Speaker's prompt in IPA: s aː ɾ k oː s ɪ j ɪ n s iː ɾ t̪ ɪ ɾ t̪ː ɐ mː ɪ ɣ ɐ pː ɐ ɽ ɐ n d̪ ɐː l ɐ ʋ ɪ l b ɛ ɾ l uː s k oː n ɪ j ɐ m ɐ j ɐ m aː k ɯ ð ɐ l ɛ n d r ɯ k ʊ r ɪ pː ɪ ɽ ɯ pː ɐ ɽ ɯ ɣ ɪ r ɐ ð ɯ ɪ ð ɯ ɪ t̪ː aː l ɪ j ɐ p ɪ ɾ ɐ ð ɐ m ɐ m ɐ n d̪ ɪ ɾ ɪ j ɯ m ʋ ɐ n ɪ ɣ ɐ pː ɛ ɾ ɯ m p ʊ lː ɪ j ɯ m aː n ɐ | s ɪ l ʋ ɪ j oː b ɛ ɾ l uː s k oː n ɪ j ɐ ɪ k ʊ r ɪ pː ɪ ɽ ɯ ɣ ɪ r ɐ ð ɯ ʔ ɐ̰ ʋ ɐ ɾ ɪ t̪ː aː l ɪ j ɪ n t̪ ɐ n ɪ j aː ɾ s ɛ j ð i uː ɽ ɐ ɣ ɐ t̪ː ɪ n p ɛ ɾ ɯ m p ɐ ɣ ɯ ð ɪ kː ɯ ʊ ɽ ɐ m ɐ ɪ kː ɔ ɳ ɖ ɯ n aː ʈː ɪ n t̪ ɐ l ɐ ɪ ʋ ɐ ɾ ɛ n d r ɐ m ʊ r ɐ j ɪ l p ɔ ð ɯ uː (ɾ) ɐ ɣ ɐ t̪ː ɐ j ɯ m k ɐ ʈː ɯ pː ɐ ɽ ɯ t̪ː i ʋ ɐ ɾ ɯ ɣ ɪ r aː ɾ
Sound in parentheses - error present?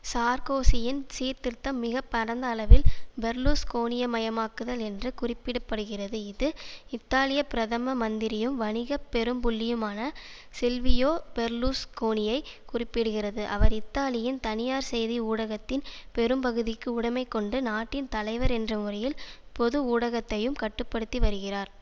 yes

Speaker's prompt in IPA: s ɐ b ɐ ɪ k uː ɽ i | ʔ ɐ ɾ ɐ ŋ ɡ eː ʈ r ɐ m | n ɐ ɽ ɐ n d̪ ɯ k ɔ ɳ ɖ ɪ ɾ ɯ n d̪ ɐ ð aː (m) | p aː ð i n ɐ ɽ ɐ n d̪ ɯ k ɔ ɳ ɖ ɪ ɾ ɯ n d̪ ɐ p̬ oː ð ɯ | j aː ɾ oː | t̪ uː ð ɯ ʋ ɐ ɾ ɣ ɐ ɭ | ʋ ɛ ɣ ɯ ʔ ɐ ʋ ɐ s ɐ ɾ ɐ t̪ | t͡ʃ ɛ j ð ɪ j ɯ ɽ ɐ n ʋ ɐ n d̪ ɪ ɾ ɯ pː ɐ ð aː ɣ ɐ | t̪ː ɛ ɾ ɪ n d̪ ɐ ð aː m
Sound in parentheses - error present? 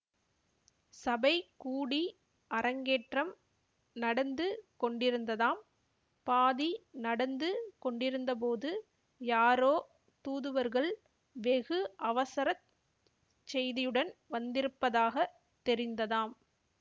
no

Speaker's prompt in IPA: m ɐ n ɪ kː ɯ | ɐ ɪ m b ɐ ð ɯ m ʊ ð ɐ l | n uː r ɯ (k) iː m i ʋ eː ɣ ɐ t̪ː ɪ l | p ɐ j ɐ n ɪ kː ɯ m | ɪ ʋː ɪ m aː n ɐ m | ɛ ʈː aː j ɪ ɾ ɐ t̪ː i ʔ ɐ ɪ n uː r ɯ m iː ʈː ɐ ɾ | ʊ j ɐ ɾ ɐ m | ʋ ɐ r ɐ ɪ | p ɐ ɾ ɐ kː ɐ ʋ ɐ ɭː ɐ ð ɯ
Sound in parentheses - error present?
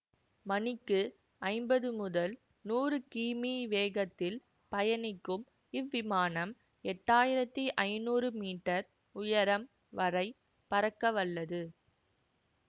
no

